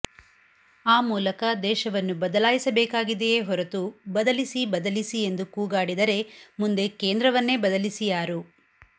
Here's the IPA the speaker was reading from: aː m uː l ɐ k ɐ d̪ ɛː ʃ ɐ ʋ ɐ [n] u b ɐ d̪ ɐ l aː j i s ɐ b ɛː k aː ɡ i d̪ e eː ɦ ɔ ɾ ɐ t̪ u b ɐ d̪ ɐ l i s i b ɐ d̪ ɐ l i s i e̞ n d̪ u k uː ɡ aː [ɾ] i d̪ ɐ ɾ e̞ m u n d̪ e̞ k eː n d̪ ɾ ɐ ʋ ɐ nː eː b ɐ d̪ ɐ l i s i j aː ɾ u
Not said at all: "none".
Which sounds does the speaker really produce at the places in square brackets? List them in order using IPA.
nː, ɽ

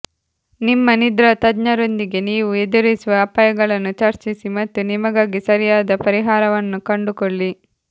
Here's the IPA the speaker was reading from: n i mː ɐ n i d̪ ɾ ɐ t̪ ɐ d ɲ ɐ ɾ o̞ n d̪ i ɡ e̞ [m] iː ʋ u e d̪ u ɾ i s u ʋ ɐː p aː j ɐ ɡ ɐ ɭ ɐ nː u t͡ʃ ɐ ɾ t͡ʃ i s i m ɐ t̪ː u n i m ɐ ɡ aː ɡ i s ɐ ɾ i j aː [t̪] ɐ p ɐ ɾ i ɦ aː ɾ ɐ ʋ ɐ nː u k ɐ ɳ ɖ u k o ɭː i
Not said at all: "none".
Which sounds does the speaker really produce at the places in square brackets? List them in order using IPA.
n, d̪

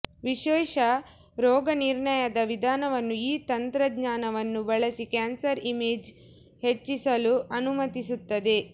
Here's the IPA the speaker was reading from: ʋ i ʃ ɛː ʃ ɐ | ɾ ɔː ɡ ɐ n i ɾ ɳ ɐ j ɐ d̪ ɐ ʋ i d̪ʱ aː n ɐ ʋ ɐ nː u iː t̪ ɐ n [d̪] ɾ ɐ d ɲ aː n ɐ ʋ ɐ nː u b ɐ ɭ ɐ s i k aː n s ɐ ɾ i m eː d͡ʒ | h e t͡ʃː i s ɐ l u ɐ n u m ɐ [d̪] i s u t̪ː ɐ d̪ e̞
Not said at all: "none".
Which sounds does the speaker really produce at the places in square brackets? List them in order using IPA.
t̪, t̪

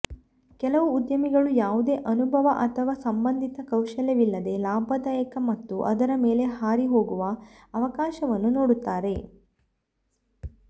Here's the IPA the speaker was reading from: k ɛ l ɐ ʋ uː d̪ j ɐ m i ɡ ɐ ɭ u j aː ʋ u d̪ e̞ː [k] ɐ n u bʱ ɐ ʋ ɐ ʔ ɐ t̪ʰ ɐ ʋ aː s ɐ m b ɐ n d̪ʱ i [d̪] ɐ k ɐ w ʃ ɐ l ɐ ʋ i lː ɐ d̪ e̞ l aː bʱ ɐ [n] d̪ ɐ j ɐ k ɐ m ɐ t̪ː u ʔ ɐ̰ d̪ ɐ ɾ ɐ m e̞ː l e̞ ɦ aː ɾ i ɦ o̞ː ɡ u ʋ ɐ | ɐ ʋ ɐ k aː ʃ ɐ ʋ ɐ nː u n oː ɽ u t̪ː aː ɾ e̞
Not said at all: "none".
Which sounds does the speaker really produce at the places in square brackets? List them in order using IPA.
ʔ, t̪, none

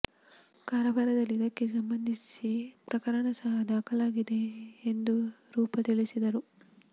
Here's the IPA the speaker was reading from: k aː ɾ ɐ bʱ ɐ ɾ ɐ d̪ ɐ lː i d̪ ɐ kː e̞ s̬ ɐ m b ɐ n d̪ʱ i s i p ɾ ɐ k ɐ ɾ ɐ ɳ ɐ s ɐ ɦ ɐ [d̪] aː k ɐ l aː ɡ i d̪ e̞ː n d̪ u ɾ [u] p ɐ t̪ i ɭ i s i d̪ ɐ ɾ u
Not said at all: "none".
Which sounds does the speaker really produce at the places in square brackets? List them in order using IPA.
d̪, uː

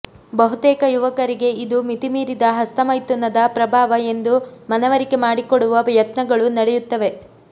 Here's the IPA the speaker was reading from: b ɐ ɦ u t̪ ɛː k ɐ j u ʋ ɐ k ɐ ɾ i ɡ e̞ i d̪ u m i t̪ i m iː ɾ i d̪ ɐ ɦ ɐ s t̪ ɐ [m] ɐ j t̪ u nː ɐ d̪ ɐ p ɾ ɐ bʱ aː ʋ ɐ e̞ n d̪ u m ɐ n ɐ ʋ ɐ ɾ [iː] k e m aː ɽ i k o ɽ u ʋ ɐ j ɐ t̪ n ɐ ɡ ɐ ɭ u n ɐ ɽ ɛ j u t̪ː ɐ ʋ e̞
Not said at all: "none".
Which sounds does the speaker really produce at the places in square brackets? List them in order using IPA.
m, i

